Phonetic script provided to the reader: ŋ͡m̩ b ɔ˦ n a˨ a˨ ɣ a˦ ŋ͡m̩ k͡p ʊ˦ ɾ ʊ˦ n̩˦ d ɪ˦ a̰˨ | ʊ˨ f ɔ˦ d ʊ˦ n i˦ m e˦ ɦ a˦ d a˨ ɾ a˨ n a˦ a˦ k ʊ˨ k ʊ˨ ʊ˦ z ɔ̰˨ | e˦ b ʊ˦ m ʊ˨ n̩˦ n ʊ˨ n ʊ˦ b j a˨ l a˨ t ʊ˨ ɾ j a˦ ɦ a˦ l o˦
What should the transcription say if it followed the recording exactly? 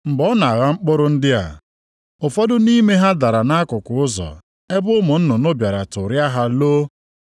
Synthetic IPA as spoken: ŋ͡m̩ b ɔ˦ n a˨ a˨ ɣ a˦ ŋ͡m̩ k͡p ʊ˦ ɾ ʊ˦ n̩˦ d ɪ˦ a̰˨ | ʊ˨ f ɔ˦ d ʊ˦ n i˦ m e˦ ɦ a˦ d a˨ ɾ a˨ n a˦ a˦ k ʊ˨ k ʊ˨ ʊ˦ z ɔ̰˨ | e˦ b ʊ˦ m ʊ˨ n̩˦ n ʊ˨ n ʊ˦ b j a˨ ɾ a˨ t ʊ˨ ɾ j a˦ ɦ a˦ l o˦

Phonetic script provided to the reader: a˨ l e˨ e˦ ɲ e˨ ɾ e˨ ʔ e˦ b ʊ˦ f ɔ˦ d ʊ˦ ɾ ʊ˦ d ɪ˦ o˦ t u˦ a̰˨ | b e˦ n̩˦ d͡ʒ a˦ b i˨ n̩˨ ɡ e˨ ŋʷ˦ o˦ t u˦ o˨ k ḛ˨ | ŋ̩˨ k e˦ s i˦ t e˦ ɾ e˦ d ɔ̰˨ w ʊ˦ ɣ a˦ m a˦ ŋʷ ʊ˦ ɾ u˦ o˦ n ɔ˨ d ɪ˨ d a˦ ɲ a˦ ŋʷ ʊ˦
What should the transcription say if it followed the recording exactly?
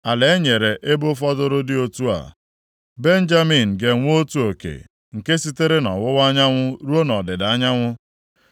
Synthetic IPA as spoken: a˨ l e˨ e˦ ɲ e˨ ɾ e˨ ʔ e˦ b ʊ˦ f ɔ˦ d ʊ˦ ɾ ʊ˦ d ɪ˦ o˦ t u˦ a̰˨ | b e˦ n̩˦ d͡ʒ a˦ m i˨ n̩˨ ɡ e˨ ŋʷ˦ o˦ t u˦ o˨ k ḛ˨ | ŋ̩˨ k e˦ s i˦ t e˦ ɾ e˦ n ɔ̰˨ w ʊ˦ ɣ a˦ ɲ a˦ ŋʷ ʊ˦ ɾ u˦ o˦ n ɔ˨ d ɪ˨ d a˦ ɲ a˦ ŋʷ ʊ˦

